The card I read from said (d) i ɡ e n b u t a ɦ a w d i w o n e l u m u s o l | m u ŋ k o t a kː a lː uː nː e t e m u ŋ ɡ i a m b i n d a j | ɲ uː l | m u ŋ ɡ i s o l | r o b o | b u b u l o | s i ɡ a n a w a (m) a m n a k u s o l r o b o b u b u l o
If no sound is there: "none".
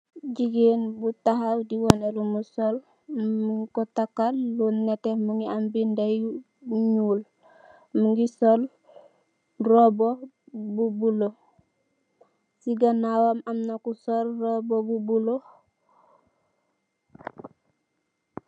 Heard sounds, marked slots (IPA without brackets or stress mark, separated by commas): ɟ, m